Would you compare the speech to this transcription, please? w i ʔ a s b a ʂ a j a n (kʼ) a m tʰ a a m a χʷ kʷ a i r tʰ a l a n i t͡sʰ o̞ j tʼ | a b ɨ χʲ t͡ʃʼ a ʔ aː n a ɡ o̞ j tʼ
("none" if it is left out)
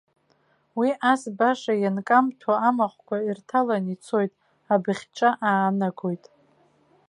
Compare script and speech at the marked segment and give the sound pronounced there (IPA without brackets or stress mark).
kʼ